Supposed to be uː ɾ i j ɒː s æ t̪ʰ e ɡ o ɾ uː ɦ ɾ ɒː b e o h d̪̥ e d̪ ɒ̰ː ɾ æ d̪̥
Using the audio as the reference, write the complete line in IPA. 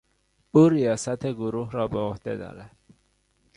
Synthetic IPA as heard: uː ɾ i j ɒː s æ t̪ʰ e ɡ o ɾ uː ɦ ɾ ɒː b e o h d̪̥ e d̪ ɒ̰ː ɾ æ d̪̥